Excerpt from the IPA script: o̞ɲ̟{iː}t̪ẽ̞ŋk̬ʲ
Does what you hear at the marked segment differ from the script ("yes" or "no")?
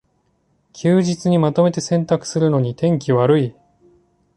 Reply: yes